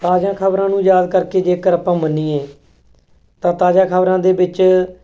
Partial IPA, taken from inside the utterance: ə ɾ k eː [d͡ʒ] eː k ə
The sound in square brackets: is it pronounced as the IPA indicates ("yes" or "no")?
yes